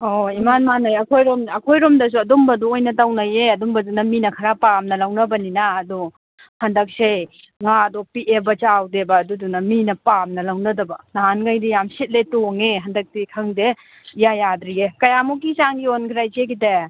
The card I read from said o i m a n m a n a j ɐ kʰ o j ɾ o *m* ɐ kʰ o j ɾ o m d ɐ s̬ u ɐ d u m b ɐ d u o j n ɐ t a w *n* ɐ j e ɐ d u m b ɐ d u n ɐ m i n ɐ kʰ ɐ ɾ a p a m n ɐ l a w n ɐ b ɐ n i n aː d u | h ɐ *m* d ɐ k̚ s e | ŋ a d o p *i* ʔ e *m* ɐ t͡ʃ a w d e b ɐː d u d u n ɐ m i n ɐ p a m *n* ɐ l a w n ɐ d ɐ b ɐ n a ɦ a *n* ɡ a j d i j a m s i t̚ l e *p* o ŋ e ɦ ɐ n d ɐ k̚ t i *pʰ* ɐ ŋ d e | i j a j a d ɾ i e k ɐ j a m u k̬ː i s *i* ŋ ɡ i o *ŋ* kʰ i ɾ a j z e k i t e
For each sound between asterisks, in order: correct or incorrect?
correct, correct, incorrect, correct, incorrect, correct, correct, incorrect, incorrect, incorrect, incorrect

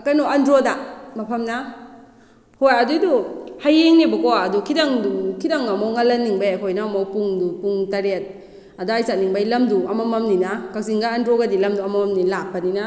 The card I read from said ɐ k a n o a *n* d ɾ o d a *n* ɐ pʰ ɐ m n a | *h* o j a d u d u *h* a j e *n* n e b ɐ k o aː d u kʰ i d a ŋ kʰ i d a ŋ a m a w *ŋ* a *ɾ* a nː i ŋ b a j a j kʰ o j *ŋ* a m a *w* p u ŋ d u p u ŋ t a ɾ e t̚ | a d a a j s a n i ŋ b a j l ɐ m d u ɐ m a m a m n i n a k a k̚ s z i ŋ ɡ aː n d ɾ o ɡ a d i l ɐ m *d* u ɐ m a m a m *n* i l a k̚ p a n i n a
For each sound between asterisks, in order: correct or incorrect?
correct, incorrect, correct, correct, incorrect, correct, incorrect, incorrect, correct, correct, correct

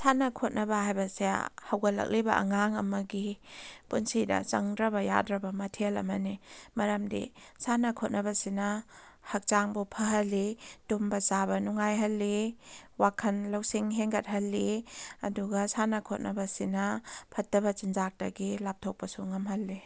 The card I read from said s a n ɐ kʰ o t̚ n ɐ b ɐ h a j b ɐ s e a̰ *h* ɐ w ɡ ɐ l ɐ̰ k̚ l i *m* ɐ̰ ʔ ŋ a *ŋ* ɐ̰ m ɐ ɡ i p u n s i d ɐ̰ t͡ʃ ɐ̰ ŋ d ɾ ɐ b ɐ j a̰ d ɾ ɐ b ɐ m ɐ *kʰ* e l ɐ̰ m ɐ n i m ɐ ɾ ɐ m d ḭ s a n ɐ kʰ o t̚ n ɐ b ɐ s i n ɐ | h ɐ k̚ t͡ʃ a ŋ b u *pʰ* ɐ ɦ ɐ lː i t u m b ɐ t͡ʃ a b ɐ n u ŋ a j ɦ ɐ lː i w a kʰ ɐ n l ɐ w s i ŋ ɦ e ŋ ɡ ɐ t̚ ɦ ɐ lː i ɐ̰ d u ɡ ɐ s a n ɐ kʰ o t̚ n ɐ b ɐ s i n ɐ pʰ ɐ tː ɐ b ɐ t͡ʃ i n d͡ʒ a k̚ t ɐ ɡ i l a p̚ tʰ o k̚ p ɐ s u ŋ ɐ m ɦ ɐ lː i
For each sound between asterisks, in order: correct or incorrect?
correct, incorrect, correct, incorrect, correct

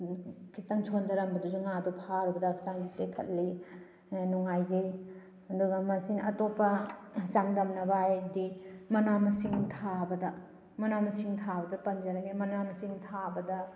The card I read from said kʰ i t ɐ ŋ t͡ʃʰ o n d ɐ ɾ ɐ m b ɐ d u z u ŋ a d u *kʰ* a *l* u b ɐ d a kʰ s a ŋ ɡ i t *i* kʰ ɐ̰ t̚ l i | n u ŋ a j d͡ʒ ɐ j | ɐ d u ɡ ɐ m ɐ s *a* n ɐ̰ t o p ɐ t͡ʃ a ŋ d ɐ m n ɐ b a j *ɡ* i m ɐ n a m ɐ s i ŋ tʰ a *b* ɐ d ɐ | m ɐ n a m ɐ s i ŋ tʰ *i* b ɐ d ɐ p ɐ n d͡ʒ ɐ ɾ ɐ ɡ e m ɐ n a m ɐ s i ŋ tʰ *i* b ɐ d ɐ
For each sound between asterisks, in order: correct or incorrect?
incorrect, incorrect, incorrect, incorrect, incorrect, correct, incorrect, incorrect

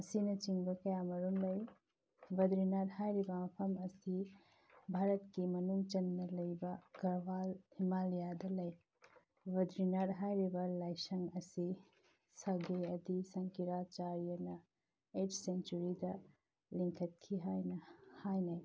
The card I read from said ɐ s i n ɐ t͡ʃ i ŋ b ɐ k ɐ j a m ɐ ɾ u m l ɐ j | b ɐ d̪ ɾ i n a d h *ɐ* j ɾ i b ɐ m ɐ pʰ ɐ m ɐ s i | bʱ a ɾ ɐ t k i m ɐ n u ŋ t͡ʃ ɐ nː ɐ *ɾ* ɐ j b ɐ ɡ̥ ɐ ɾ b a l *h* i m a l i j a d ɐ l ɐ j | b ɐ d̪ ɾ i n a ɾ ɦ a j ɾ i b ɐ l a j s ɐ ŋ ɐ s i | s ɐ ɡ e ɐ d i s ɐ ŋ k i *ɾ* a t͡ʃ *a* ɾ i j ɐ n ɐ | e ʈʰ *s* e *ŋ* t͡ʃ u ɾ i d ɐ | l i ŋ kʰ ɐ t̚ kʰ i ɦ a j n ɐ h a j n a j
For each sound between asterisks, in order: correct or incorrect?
incorrect, incorrect, correct, correct, correct, correct, incorrect

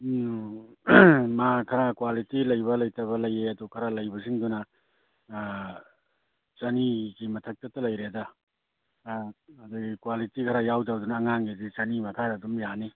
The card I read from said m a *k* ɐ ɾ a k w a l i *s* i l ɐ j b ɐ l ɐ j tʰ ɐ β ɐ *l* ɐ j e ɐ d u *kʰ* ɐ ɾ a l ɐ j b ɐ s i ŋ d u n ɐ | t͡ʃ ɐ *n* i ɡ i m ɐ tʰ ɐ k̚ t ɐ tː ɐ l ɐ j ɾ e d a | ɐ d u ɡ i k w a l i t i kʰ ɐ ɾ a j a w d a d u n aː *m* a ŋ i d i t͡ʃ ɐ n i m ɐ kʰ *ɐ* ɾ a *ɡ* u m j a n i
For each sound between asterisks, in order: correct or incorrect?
incorrect, incorrect, correct, correct, correct, incorrect, incorrect, incorrect

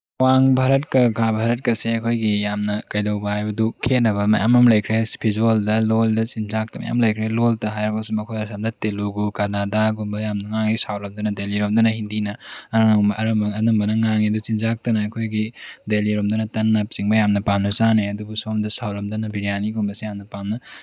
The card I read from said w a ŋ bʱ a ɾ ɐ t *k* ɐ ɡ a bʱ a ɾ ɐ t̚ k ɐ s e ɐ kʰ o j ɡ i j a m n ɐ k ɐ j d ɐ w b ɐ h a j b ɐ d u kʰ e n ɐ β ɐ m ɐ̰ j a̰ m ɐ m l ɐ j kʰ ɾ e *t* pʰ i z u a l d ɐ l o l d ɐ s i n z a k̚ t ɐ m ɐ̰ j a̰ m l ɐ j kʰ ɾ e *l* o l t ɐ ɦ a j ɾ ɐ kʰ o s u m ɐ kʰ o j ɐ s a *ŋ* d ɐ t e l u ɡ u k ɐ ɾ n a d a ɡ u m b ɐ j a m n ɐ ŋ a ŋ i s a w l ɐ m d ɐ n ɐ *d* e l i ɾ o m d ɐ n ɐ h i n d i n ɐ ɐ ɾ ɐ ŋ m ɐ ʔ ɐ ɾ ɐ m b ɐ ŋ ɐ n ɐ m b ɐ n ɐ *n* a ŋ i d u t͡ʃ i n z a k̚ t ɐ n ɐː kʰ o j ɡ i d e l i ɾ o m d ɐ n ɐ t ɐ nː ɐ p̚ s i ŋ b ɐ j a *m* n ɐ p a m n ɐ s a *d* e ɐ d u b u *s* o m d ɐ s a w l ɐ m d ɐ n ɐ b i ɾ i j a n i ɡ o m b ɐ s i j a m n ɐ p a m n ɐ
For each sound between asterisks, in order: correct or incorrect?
correct, incorrect, correct, incorrect, correct, incorrect, correct, incorrect, correct

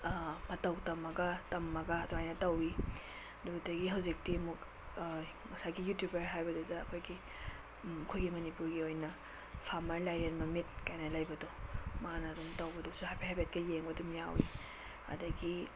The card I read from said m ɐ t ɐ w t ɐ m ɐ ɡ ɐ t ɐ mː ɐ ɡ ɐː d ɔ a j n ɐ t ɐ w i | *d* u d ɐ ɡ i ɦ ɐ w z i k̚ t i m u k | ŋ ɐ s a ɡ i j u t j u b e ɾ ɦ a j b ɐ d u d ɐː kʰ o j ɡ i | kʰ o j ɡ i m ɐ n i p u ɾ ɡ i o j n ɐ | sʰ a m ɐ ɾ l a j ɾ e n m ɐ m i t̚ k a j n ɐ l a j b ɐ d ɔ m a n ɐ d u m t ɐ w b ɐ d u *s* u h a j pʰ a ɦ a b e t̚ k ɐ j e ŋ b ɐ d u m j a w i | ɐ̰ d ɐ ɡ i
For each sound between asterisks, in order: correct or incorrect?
correct, correct

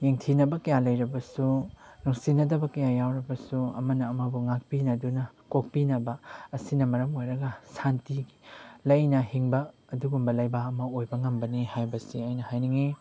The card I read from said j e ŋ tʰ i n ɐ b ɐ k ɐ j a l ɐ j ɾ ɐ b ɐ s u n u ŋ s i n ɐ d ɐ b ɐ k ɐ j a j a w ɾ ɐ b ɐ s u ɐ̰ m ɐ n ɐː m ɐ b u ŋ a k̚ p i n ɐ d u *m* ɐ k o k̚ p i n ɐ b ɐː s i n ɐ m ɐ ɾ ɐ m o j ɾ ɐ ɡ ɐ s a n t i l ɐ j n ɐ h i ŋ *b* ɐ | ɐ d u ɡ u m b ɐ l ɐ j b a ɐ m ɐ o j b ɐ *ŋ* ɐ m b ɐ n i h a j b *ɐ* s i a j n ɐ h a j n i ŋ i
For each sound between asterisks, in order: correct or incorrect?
incorrect, correct, correct, correct

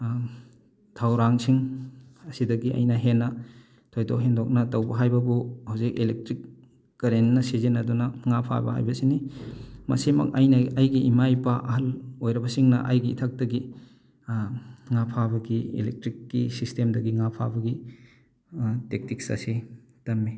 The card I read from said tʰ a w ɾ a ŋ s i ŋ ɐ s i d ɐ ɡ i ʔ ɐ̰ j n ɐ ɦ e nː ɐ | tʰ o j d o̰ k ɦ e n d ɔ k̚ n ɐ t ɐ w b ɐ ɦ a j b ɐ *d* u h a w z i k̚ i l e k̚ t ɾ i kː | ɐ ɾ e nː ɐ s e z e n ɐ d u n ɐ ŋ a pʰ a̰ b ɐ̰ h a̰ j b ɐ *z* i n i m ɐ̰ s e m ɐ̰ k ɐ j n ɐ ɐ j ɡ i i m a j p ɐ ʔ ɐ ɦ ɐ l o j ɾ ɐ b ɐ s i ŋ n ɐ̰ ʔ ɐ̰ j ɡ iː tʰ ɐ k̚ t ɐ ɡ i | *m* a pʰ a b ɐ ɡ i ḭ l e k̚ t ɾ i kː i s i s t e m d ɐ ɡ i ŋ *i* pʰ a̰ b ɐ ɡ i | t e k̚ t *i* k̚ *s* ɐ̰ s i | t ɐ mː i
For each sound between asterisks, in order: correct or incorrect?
incorrect, incorrect, incorrect, incorrect, correct, correct

